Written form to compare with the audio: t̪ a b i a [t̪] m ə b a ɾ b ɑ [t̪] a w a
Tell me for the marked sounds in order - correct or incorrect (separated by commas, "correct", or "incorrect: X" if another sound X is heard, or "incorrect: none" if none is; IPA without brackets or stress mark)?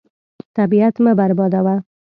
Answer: correct, incorrect: d̪